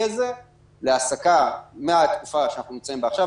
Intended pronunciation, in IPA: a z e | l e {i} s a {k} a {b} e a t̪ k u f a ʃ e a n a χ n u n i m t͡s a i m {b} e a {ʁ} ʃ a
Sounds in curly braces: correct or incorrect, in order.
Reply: incorrect: a, correct, incorrect: m, correct, incorrect: χ

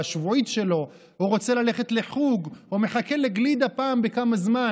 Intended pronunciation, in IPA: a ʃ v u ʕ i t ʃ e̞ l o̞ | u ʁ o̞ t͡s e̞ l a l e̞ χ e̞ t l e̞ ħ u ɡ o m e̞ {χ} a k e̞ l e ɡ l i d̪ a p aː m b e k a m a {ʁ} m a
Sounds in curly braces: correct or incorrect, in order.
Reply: correct, incorrect: z

